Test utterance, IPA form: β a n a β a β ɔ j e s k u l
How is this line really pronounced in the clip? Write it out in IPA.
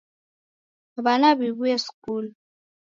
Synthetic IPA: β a n a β i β u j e s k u l

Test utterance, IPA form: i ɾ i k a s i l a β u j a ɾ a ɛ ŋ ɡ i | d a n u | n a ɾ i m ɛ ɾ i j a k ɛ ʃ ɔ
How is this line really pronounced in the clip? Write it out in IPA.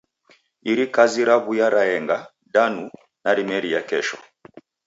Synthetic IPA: i ɾ i k a z i ɾ a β u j a ɾ a ɛ ŋ ɡ a | d a n u | n a ɾ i m ɛ ɾ i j a k ɛ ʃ ɔ

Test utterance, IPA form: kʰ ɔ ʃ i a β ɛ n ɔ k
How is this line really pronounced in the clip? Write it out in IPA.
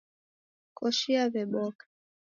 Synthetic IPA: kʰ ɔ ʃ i a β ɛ m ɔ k

